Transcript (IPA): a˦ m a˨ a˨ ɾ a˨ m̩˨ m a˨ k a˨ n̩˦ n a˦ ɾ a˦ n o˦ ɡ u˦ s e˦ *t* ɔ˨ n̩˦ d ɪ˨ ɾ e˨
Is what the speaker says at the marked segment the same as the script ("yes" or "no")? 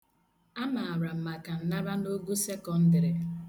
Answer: no